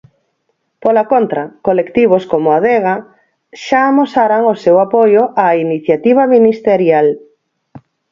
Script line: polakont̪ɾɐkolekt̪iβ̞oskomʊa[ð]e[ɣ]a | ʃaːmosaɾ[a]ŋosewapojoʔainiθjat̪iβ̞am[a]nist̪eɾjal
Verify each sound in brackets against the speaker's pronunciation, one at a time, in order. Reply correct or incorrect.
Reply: correct, correct, correct, incorrect

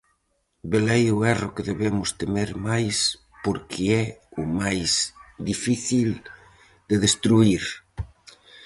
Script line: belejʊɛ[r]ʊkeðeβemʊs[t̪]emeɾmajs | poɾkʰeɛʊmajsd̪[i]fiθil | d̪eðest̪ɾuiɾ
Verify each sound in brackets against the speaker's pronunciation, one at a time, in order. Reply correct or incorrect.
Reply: correct, correct, correct

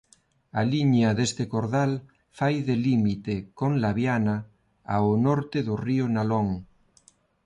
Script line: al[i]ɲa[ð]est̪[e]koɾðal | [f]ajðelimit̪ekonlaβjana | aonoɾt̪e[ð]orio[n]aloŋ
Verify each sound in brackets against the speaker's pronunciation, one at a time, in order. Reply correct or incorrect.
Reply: correct, correct, correct, correct, correct, correct

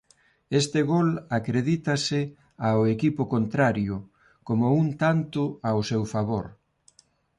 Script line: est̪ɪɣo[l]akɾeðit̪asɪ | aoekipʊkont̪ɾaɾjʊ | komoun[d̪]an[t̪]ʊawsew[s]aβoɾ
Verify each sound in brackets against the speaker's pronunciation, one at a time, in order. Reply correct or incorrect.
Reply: correct, incorrect, correct, incorrect

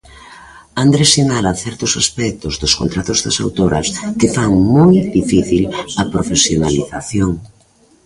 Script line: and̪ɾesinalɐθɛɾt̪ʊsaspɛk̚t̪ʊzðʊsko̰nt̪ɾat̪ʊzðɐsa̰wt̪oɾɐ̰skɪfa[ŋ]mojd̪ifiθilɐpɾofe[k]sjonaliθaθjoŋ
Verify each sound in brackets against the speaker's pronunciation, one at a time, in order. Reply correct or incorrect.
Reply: correct, incorrect

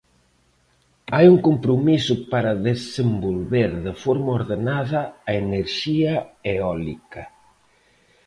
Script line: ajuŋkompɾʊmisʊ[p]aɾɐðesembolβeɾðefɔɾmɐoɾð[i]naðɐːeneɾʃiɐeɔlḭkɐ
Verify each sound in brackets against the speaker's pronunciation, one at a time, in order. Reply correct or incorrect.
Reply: correct, incorrect

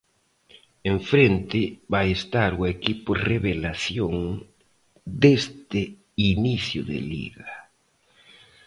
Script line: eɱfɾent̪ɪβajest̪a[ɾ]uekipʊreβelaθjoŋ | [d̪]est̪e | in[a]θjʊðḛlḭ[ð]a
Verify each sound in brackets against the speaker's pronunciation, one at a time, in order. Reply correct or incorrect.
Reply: correct, correct, incorrect, incorrect

